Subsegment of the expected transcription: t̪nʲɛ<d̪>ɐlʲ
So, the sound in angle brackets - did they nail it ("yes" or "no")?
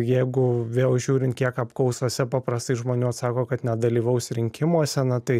yes